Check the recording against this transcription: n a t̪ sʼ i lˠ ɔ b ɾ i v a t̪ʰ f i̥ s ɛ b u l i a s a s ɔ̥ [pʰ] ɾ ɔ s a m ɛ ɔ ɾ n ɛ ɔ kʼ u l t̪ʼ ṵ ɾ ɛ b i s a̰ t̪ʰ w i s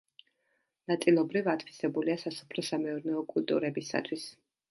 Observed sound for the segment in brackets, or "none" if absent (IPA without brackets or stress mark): pʰ